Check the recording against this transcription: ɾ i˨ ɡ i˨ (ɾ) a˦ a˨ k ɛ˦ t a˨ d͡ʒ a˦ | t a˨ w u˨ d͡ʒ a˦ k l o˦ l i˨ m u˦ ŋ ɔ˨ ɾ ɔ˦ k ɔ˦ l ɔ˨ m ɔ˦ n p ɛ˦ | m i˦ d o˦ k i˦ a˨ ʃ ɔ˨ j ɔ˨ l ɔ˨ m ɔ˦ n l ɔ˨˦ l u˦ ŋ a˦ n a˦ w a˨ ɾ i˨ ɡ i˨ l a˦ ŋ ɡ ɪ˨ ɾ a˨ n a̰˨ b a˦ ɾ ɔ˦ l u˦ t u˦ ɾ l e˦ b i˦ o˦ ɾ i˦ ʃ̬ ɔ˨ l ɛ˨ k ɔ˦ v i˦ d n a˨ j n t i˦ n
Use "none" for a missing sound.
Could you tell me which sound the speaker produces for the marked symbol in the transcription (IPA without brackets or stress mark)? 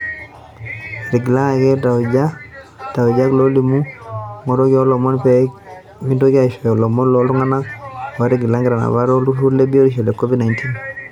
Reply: l